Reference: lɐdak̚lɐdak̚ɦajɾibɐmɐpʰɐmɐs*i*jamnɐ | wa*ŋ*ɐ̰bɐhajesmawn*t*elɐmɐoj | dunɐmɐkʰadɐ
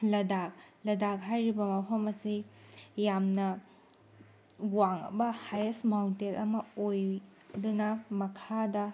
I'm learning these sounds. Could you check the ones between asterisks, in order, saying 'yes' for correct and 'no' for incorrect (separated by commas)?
yes, yes, yes